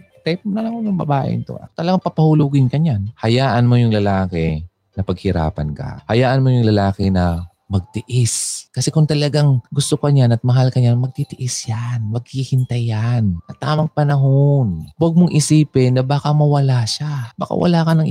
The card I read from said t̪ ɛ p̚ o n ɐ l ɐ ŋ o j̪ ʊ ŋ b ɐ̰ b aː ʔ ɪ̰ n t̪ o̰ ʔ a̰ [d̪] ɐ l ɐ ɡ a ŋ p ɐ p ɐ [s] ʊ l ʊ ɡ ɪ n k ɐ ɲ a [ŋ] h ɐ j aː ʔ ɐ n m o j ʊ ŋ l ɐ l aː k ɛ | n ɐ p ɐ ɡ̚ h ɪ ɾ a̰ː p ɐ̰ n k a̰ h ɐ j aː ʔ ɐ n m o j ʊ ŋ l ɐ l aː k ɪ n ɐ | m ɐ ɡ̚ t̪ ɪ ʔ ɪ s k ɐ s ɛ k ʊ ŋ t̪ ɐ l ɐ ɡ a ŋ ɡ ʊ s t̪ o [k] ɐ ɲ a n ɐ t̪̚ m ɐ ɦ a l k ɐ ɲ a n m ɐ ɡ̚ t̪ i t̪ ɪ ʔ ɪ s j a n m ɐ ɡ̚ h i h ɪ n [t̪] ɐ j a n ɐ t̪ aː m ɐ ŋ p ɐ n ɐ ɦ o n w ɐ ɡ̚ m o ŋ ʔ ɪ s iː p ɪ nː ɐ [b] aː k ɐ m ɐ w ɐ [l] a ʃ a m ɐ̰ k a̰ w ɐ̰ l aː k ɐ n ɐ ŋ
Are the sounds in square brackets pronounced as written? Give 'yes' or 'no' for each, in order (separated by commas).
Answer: no, no, no, yes, yes, yes, yes